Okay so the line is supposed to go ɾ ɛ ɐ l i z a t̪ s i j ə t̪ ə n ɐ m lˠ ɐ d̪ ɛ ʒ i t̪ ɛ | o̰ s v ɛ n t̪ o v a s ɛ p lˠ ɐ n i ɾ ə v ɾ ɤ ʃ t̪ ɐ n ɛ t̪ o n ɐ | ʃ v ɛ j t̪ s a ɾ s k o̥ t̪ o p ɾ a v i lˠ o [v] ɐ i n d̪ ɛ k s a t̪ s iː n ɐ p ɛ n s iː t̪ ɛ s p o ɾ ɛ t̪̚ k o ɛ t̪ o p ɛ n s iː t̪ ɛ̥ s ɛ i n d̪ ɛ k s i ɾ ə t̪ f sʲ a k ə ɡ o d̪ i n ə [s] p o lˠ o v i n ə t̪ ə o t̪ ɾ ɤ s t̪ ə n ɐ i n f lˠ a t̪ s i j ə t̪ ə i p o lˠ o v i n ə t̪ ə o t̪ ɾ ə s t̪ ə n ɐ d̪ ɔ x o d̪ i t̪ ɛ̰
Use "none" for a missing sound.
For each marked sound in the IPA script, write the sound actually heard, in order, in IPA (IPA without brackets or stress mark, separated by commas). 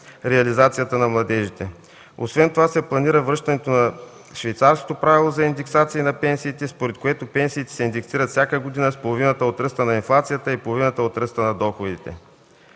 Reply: z, s